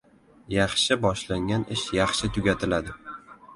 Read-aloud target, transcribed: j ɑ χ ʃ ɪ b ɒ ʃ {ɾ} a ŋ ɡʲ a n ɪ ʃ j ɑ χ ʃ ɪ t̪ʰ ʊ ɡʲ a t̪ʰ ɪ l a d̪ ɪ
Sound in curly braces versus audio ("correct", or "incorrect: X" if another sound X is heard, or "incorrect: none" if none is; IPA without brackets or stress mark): incorrect: l